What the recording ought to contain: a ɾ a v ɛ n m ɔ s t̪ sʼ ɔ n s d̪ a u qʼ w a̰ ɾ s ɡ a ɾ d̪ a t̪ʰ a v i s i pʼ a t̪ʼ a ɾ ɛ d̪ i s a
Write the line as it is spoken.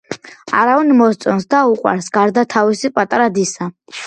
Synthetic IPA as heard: a ɾ a v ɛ n m ɔ s t̪ sʼ ɔ n s d̪ a u qʼ w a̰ ɾ s ɡ a ɾ d̪ a t̪ʰ a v i s i pʼ a t̪ʼ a ɾ a d̪ i s a